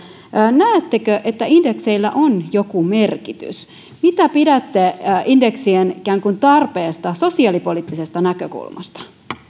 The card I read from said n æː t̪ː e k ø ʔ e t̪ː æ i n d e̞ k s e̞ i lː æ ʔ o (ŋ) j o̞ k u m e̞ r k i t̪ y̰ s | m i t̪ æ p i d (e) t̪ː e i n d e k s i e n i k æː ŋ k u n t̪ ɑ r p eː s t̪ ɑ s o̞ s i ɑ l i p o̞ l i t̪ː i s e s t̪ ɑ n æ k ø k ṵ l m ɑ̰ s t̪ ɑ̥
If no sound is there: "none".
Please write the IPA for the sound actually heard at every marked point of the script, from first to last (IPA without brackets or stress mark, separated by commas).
n, æ